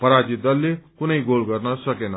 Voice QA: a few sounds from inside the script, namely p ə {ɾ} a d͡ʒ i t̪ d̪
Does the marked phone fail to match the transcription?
no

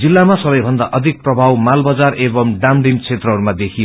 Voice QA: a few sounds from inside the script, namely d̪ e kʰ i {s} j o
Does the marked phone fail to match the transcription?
yes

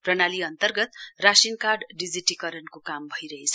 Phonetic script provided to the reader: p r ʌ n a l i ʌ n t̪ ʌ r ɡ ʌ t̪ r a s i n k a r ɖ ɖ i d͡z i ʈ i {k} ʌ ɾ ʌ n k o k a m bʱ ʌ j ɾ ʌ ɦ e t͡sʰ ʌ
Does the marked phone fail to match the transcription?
no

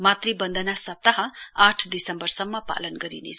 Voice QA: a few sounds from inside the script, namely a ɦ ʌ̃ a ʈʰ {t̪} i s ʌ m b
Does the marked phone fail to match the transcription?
yes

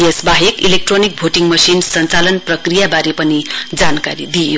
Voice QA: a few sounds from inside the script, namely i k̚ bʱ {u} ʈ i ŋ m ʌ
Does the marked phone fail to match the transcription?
yes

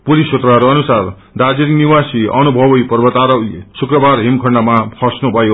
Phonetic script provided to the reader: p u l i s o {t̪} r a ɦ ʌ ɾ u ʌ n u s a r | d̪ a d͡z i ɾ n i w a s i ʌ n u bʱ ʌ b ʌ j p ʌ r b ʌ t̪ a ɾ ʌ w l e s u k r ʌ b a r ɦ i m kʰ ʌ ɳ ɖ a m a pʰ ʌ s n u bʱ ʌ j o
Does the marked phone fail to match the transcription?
no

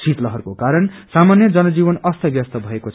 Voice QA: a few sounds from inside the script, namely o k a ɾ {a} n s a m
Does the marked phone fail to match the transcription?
yes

